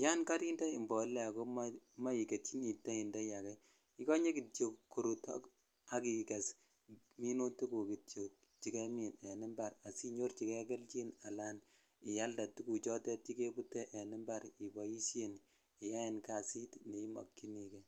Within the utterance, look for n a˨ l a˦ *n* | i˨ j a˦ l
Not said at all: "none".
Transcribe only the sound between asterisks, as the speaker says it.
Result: n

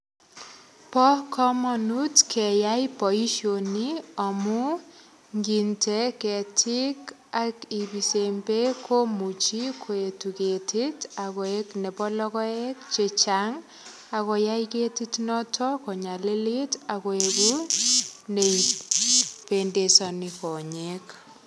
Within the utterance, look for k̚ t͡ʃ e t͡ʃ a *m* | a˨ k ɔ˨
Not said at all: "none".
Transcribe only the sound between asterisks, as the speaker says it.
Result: ŋ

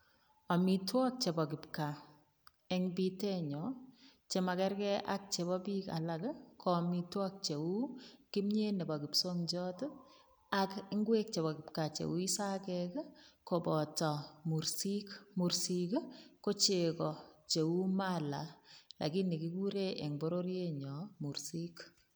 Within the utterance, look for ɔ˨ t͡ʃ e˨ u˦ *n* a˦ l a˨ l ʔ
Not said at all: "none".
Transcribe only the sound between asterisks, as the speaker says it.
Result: m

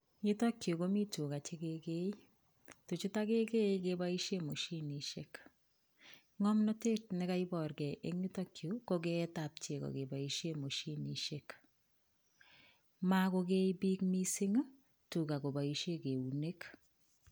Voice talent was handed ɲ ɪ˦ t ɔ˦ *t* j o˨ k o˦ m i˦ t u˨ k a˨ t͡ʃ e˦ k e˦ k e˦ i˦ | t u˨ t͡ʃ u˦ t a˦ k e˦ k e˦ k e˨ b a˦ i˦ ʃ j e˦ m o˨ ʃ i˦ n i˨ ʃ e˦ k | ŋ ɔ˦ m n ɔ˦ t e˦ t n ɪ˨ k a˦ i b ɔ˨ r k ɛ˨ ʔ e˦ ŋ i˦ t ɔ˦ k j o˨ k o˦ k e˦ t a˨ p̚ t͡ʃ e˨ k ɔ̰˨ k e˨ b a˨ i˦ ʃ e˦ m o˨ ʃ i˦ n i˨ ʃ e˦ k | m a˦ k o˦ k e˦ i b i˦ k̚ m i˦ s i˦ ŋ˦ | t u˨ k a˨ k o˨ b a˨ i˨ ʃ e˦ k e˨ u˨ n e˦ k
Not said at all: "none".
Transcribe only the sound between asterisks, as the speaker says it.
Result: k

